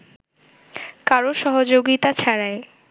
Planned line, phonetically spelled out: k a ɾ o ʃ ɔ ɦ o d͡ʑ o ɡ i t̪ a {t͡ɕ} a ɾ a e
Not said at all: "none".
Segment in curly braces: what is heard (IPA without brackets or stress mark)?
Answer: t͡ɕʰ